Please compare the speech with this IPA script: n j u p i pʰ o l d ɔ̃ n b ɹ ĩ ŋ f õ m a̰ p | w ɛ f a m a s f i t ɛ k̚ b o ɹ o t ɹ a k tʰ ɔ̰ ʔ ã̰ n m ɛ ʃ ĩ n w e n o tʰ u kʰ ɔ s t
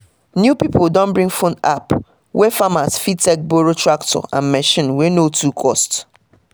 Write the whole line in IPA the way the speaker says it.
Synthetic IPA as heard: n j u p i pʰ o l d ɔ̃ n b ɹ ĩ ŋ f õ n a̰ p | w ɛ f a m a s f i t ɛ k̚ b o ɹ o t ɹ a k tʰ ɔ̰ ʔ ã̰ n m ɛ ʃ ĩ n w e n o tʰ u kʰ ɔ s t